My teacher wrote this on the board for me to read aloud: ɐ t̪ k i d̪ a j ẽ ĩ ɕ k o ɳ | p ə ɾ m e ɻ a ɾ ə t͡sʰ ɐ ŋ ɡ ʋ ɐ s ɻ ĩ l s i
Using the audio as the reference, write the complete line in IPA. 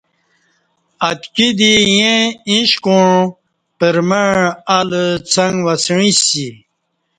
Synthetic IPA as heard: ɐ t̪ k i d̪ i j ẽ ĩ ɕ k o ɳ | p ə ɾ m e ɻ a l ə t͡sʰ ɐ ŋ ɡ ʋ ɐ s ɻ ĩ s i